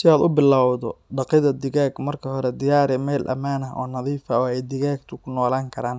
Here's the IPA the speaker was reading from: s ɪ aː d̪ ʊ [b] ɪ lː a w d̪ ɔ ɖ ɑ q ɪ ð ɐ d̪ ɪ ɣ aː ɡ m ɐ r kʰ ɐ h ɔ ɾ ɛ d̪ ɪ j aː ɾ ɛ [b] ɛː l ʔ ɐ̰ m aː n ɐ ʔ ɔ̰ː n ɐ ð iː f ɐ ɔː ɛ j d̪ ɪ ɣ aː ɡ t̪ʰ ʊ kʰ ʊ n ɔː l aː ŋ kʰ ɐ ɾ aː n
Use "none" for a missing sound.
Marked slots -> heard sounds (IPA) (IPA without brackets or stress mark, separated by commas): b, m